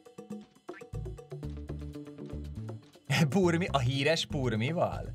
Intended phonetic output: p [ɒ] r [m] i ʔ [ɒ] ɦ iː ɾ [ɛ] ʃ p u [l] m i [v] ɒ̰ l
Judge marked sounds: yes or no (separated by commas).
no, yes, yes, yes, no, yes